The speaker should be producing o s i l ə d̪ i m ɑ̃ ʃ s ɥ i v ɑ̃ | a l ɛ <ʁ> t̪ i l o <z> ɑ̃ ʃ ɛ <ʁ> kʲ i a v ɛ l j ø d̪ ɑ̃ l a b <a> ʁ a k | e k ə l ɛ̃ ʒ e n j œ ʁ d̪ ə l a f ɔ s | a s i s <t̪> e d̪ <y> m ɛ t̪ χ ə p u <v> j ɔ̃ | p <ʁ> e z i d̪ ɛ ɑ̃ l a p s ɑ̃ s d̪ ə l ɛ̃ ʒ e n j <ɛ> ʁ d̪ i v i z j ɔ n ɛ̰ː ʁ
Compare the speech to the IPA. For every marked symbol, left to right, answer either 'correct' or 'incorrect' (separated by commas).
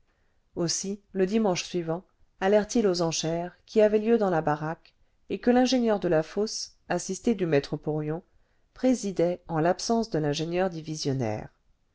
correct, correct, correct, correct, correct, correct, incorrect, incorrect, incorrect